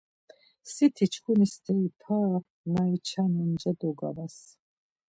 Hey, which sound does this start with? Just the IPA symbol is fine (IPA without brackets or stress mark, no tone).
s